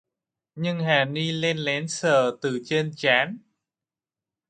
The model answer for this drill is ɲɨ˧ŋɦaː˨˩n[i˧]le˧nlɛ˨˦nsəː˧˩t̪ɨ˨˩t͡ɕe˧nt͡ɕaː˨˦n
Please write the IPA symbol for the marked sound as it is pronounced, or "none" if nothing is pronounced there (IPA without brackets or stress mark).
i˧